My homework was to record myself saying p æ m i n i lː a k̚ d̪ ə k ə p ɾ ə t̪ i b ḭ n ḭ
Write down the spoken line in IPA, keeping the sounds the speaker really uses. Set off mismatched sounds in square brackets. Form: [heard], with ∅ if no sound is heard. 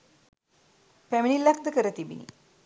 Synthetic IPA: p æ m i n i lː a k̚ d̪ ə k ə [∅] ɾ ə t̪ i b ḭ n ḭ